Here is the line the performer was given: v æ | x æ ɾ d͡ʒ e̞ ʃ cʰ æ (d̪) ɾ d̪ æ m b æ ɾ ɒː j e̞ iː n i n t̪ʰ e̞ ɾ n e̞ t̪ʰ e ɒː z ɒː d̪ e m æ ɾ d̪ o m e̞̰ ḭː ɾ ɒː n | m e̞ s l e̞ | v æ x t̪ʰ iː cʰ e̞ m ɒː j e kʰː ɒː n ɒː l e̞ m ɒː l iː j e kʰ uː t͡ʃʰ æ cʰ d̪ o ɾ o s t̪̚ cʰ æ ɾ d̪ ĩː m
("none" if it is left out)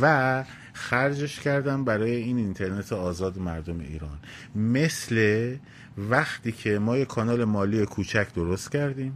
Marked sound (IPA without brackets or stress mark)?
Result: none